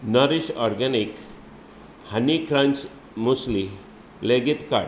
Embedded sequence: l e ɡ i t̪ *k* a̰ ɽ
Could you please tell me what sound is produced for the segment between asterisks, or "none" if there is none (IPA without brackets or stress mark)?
k